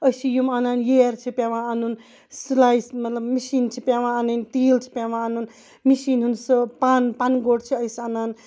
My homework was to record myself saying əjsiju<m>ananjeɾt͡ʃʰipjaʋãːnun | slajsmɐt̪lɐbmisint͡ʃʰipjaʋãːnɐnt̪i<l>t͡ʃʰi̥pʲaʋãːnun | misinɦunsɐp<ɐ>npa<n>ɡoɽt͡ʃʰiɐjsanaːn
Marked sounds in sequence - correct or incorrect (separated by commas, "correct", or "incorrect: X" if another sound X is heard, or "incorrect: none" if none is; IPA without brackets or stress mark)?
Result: correct, correct, incorrect: a, correct